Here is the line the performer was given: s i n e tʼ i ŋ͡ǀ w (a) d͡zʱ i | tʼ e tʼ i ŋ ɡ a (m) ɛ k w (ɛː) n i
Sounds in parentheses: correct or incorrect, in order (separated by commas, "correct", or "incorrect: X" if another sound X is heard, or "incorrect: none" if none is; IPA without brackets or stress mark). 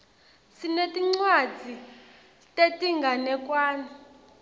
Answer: correct, incorrect: n, incorrect: aː